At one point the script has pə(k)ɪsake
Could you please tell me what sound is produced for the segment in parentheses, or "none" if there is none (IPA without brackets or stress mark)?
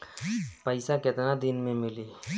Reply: none